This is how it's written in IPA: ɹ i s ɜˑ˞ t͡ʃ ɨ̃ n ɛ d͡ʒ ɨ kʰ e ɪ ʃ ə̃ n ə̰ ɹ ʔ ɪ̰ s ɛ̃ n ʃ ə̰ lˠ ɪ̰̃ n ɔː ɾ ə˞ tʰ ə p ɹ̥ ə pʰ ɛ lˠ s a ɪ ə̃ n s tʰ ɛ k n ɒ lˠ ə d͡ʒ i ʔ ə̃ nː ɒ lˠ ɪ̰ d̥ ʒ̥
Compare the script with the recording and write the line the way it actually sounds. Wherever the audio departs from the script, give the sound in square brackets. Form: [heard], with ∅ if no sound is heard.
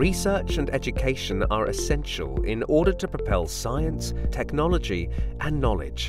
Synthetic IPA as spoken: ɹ i s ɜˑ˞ t͡ʃ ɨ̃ n ɛ d͡ʒ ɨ kʰ e ɪ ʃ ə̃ n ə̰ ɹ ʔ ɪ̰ s ɛ̃ n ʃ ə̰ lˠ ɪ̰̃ n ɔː ɾ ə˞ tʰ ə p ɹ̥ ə pʰ ɛ lˠ s a ɪ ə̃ n s tʰ ɛ k n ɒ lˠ ə d͡ʒ i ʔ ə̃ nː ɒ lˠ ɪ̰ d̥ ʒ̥